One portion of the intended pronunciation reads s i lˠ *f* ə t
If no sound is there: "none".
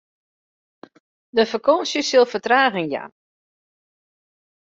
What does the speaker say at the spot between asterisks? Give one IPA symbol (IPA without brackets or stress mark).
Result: f